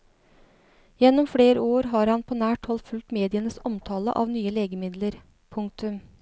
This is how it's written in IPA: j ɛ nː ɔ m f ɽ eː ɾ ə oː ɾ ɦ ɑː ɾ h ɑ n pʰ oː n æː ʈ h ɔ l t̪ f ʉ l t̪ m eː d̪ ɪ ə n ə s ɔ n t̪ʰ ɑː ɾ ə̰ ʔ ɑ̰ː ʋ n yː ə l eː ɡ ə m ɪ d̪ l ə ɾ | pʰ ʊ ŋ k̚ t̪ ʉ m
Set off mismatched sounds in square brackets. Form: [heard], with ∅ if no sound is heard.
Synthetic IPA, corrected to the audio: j ɛ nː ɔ m f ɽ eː ɾ ə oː ɾ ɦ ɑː ɾ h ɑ n pʰ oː n æː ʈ h ɔ l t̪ f ʉ l t̪ m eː d̪ ɪ ə n ə s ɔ [m] t̪ʰ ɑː [l] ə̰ ʔ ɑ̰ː ʋ n yː ə l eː ɡ ə m ɪ d̪ l ə ɾ | pʰ ʊ ŋ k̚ t̪ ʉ m